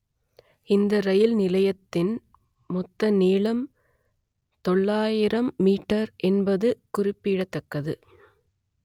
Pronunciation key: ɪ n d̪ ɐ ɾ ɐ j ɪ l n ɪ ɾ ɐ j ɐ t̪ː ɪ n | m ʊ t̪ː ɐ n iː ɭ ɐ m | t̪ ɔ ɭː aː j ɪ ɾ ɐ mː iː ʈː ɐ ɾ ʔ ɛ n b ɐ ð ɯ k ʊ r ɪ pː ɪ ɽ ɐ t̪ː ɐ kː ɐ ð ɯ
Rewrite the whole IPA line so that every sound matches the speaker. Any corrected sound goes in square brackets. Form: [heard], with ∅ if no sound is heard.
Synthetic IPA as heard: ɪ n d̪ ɐ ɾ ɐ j ɪ l n ɪ [l] ɐ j ɐ t̪ː ɪ n | m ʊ t̪ː ɐ n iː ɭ ɐ m | t̪ ɔ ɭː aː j ɪ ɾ ɐ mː iː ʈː ɐ ɾ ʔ ɛ n b ɐ ð ɯ k ʊ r ɪ pː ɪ ɽ ɐ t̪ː ɐ kː ɐ ð ɯ